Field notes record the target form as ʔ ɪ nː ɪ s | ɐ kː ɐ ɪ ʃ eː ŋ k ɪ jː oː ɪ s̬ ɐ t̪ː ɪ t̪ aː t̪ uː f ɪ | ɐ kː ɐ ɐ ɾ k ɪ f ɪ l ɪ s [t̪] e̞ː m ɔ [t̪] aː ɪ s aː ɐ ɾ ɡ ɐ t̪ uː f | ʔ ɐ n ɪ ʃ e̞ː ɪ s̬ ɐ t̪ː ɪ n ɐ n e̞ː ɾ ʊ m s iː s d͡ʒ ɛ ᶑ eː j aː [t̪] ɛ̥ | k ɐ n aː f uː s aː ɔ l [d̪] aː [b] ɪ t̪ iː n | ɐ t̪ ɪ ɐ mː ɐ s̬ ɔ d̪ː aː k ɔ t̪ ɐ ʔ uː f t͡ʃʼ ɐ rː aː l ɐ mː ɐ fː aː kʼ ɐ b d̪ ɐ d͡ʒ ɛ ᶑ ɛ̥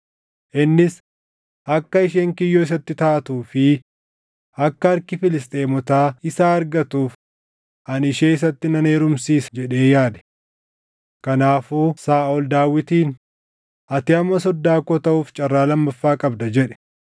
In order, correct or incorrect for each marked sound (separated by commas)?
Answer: incorrect, correct, incorrect, correct, incorrect